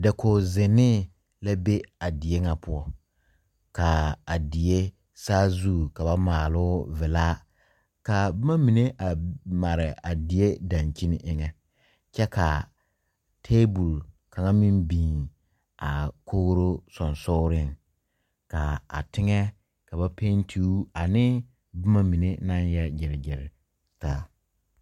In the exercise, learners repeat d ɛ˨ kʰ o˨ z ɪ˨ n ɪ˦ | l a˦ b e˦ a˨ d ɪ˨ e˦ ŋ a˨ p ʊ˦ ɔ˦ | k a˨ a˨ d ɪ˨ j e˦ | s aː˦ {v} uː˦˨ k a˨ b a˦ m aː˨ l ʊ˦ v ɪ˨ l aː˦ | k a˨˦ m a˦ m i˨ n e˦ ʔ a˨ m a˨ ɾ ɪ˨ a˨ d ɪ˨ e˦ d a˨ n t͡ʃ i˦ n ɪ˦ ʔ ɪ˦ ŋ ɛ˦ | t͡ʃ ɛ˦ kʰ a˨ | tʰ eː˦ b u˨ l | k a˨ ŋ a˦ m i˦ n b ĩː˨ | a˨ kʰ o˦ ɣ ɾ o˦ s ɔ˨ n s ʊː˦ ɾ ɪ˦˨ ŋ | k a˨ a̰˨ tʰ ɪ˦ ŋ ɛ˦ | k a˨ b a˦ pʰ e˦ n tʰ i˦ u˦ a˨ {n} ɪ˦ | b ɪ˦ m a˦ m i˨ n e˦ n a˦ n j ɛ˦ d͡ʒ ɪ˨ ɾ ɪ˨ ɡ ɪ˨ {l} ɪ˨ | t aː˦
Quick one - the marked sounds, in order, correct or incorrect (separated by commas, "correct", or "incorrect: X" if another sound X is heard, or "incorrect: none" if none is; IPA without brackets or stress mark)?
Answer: incorrect: z, correct, incorrect: ɾ